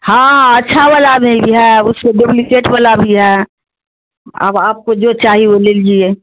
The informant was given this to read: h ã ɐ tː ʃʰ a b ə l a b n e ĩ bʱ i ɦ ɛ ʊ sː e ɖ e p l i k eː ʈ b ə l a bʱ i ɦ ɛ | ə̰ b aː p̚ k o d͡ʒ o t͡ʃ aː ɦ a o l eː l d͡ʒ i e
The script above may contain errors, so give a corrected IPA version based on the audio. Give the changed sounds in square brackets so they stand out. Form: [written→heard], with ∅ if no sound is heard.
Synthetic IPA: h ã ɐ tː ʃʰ a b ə l a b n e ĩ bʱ i ɦ ɛ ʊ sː e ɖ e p l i k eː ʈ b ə l a bʱ i ɦ ɛ | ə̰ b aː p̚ k o d͡ʒ o t͡ʃ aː ɦ [a→i] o l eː l d͡ʒ i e